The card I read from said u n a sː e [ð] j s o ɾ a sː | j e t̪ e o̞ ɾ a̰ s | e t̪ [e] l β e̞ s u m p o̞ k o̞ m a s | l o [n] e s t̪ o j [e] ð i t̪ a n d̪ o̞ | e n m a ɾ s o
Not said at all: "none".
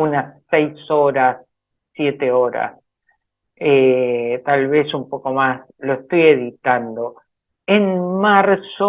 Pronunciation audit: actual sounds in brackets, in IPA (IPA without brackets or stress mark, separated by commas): none, a, none, e